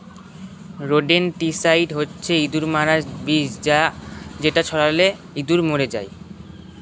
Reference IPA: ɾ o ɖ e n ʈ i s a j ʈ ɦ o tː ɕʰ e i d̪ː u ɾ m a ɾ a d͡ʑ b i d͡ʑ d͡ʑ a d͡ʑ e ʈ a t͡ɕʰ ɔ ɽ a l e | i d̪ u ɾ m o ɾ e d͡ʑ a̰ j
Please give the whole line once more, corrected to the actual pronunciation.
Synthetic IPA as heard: ɾ o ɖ e n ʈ i s a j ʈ ɦ o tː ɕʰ e i d̪ u ɾ m a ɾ a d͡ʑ b i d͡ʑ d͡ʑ a d͡ʑ e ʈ a t͡ɕʰ ɔ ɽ a l e | i d̪ u ɾ m o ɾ e d͡ʑ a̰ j